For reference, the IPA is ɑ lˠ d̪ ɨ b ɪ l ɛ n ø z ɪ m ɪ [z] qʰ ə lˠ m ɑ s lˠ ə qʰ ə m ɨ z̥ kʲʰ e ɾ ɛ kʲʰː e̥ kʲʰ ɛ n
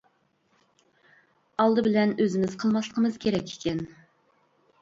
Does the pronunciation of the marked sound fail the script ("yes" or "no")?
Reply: no